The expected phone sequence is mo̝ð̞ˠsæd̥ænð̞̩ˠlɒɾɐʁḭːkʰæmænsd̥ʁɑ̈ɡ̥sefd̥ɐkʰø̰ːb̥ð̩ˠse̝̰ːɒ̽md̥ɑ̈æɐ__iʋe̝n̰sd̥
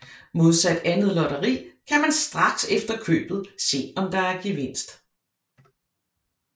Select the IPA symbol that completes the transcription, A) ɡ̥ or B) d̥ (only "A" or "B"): A